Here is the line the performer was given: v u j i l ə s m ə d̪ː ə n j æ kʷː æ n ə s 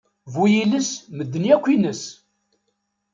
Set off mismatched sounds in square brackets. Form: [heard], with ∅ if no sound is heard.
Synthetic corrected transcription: v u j i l ə s m ə d̪ː ə n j æ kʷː [i] n ə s